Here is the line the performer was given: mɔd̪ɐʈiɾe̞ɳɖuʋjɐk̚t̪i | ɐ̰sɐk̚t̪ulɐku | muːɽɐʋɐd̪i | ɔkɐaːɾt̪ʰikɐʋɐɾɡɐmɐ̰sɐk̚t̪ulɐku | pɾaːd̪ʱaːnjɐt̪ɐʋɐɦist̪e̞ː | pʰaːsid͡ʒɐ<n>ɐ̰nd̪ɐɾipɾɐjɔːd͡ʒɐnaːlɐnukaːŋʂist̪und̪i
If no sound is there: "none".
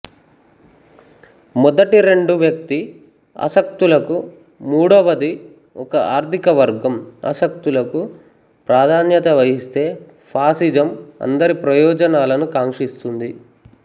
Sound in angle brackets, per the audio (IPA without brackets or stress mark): m